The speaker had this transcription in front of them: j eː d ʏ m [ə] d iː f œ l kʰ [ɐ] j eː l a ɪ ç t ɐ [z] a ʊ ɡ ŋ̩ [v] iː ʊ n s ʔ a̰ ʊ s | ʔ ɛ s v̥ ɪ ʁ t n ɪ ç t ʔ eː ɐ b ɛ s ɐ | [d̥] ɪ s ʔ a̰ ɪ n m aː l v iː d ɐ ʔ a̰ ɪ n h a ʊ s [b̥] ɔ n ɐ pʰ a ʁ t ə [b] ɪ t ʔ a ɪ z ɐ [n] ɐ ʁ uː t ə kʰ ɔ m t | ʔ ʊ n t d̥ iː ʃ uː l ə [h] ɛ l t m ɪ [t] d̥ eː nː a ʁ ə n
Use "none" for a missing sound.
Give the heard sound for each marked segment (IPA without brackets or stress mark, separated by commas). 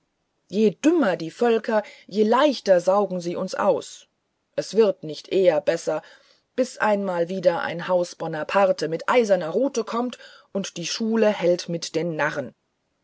ɐ, ɐ, z, z, b̥, b̥, m, n, h, t